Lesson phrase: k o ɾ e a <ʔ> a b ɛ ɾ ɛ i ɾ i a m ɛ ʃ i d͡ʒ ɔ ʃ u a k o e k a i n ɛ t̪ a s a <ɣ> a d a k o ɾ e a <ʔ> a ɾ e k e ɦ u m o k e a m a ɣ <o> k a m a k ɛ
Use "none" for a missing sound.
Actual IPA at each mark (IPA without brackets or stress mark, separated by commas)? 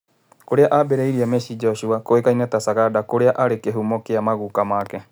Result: ʔ, ɣ, ʔ, u